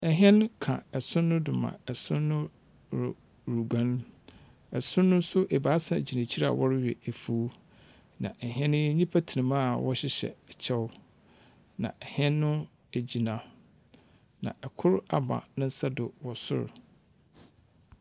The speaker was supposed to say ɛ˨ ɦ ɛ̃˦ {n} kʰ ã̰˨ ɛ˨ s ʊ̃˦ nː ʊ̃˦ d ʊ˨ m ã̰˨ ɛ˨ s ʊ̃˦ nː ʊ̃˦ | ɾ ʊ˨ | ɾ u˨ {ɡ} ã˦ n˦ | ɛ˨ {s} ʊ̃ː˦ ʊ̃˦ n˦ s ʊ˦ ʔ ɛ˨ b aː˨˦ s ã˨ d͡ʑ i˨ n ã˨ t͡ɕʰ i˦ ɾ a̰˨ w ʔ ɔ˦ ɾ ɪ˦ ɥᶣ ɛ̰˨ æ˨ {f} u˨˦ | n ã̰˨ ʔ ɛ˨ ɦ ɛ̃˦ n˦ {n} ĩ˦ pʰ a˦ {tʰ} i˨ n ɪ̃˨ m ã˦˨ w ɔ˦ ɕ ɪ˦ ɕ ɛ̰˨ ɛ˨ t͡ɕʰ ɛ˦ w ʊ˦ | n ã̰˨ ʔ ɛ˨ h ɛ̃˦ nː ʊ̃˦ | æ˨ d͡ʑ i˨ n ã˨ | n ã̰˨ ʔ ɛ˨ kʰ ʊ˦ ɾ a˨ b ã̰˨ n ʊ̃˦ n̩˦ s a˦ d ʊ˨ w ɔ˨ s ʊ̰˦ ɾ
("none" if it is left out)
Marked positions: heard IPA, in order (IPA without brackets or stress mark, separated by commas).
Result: n, ɡ, s, f, ɲ, tʰ